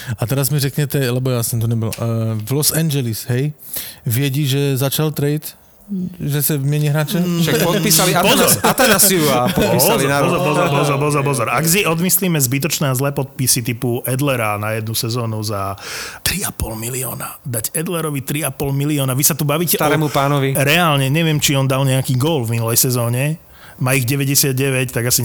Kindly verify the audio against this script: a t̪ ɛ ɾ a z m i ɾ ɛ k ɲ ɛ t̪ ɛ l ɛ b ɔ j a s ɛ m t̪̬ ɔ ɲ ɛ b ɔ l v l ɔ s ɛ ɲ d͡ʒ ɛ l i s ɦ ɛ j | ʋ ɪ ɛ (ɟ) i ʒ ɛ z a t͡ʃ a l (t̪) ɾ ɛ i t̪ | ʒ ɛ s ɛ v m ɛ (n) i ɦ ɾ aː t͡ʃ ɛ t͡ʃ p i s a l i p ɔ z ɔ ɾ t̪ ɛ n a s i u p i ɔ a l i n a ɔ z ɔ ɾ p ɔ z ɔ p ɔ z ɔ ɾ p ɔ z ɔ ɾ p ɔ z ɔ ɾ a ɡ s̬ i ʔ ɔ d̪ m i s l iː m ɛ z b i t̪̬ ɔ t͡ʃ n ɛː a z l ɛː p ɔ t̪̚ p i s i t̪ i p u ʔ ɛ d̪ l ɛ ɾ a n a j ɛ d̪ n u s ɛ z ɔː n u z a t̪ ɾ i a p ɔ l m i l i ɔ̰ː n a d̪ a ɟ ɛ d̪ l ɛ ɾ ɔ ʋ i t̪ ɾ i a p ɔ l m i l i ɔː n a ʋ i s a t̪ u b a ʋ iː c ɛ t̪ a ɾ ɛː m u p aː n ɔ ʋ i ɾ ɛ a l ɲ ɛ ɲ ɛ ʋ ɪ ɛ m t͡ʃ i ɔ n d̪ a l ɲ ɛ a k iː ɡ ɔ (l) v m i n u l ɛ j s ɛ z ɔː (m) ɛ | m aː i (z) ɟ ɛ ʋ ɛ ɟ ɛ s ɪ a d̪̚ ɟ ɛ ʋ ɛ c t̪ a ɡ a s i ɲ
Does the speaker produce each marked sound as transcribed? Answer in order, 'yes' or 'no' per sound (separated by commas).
yes, yes, no, yes, no, no